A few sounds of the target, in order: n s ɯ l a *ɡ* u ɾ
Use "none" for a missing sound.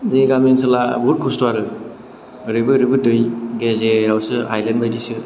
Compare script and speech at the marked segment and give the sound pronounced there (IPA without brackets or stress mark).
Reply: b